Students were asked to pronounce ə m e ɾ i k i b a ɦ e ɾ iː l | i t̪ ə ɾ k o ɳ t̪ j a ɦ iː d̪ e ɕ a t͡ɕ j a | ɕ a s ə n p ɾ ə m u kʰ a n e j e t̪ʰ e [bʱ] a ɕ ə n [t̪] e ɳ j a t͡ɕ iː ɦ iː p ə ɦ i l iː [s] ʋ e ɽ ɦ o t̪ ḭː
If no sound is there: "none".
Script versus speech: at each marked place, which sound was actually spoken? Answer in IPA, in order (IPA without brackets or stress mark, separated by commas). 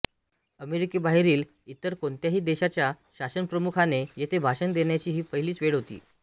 bʱ, d̪, t͡s